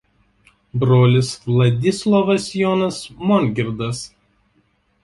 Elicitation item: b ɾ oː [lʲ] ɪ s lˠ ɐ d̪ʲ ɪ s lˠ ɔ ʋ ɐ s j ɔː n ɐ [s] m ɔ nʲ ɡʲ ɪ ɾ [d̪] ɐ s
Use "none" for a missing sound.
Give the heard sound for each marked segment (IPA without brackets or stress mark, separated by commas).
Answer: lʲ, s, d̪